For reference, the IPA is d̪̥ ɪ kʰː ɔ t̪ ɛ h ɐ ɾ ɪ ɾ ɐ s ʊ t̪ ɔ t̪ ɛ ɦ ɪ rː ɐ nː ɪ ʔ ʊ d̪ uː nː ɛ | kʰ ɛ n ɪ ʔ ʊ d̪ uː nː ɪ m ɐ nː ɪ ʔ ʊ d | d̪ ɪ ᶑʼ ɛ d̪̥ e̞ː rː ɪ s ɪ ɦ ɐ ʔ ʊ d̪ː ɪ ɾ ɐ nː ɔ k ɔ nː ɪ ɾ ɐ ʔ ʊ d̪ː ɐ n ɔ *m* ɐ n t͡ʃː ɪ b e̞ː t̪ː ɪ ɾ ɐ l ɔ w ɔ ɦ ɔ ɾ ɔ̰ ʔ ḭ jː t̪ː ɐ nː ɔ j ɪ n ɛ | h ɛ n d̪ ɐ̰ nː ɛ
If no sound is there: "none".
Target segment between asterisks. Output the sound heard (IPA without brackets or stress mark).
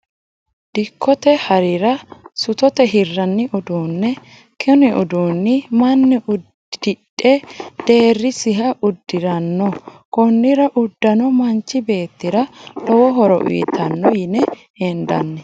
m